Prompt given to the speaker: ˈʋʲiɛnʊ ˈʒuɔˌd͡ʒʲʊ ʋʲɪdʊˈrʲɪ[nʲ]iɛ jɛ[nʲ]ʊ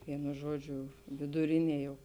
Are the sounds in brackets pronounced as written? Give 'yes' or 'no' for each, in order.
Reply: yes, no

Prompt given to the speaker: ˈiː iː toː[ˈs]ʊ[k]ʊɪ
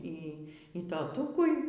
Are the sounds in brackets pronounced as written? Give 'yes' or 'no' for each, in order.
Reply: no, yes

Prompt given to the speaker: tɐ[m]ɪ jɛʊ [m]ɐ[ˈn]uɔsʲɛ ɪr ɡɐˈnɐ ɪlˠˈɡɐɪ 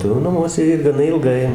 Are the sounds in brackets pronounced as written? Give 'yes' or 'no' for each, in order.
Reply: no, no, no

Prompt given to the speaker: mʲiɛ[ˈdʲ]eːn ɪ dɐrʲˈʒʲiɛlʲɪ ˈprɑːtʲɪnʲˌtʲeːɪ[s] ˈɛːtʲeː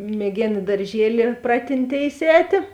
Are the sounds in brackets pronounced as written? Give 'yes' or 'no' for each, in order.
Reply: no, yes

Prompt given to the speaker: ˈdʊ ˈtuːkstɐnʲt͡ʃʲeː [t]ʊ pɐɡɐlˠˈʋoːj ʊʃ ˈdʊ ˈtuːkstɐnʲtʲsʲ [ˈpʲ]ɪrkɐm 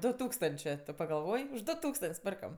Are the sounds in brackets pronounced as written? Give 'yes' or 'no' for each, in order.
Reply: yes, yes

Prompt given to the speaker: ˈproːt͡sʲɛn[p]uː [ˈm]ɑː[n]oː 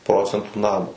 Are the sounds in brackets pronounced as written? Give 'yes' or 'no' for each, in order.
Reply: no, no, no

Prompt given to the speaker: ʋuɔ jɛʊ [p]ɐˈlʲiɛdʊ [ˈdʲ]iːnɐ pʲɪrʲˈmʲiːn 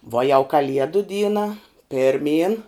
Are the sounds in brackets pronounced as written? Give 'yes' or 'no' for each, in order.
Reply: no, yes

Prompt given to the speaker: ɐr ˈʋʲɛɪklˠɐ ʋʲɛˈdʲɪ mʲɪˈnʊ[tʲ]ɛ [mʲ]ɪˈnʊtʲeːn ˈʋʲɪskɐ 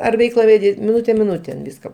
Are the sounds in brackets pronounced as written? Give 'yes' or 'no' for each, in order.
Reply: yes, yes

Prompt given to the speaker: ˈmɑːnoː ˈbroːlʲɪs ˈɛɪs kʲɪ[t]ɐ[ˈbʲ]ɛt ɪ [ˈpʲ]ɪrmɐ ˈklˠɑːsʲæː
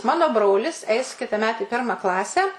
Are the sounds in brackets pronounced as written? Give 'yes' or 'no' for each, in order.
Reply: yes, no, yes

